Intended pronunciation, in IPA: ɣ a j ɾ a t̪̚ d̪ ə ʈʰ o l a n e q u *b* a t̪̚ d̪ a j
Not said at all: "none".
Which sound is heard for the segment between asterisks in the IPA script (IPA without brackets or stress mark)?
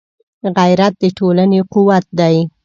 w